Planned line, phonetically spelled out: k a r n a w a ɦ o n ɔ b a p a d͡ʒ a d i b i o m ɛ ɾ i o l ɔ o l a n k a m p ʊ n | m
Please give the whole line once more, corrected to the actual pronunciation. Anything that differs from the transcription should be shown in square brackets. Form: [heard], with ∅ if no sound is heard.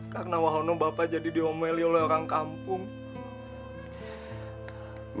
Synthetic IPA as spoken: k a r n a w a ɦ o n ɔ b a p a d͡ʒ a d i [d] i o m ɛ [l] i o l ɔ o [ɾ] a [ŋ] k a m p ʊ [ŋ] | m